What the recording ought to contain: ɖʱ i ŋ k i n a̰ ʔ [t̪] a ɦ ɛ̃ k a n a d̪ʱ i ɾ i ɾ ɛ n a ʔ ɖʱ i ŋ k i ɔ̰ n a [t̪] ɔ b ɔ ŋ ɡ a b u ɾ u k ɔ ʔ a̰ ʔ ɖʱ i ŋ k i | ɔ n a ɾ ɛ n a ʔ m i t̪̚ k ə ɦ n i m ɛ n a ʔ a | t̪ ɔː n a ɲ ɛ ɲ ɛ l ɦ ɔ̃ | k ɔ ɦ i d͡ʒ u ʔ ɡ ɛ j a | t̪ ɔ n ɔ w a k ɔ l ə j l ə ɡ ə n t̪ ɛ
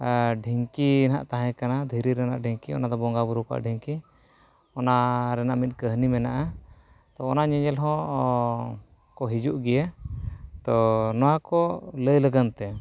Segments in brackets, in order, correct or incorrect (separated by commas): correct, incorrect